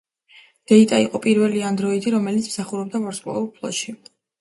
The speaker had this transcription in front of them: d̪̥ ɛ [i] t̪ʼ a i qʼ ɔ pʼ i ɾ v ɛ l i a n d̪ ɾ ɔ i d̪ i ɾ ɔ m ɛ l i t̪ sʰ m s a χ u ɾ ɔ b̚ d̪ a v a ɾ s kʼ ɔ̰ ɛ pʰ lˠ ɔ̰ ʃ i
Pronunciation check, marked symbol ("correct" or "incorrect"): correct